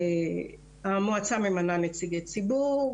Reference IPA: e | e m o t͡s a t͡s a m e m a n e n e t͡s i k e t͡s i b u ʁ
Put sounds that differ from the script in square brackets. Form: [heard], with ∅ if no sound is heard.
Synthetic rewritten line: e | [a] m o [∅] a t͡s a m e m a n [a] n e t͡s i [ɡ] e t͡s i b u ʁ